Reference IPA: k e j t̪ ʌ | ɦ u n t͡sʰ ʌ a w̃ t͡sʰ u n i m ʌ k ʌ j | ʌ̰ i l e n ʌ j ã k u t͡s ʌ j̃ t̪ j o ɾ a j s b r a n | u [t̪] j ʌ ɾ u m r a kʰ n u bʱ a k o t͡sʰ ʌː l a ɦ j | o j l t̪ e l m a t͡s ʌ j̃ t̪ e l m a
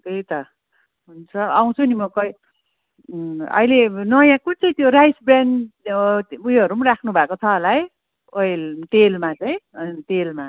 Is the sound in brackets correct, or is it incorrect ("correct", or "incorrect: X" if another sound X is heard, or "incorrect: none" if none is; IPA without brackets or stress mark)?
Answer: incorrect: none